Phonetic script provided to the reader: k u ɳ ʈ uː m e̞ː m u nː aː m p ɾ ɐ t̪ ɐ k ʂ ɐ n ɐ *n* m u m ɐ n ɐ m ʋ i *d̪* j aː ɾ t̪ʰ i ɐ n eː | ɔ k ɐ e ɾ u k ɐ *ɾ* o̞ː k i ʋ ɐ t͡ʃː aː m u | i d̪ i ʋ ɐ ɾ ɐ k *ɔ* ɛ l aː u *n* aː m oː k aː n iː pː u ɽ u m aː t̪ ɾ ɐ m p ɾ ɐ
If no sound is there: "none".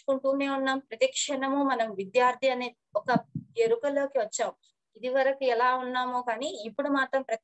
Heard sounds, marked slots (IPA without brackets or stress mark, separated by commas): none, d̪, l, u, nː